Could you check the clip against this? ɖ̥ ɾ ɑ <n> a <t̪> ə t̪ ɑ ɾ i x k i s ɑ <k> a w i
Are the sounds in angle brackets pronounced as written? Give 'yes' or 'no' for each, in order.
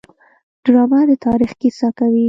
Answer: no, no, yes

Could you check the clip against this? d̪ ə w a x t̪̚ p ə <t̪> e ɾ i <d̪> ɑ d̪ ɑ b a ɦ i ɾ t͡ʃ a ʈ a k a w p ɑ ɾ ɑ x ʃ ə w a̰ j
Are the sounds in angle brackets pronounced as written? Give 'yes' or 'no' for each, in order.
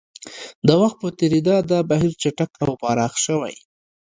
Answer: yes, yes

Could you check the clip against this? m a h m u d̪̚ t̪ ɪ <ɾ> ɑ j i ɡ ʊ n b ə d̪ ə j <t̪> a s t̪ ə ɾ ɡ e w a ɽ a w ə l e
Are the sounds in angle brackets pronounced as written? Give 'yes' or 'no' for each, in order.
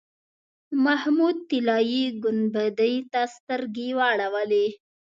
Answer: no, yes

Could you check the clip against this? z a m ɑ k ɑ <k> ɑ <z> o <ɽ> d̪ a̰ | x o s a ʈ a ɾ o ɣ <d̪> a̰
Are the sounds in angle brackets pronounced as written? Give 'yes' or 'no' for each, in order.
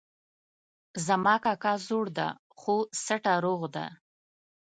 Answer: yes, yes, yes, yes

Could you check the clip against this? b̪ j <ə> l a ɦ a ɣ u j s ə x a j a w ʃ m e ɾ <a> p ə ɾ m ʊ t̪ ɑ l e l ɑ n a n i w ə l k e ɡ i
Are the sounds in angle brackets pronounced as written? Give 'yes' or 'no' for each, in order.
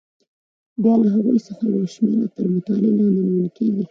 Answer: no, yes

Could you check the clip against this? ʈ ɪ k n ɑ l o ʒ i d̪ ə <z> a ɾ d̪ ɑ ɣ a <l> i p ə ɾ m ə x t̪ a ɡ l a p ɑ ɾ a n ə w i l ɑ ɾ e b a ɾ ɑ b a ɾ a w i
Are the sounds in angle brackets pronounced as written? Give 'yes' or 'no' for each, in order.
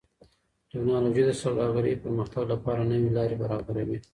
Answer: no, no

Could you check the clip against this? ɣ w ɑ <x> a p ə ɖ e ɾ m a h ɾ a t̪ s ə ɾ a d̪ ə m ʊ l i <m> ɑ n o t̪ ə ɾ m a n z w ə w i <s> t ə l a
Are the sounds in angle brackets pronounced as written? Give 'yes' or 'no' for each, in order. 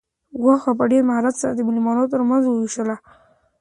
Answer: yes, yes, no

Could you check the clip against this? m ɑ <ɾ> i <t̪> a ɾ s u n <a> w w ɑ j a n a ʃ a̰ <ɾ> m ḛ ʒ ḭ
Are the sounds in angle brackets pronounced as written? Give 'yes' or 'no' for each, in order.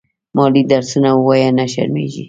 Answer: no, no, yes, yes

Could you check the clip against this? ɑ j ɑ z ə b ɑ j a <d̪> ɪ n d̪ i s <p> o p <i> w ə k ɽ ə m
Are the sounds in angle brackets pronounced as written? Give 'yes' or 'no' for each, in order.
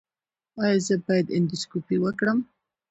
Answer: yes, no, yes

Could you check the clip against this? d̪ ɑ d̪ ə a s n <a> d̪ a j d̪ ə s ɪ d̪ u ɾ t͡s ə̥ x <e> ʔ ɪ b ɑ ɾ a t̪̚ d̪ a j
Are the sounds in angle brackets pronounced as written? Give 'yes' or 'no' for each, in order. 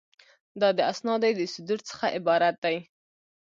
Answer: no, no

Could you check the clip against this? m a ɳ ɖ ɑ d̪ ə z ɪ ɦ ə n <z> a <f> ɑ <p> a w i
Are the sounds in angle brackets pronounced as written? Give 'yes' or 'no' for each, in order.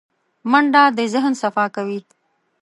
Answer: no, yes, no

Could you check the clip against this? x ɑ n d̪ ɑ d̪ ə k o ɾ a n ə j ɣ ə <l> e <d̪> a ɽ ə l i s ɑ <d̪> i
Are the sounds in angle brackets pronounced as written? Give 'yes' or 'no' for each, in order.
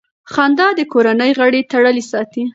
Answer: no, no, no

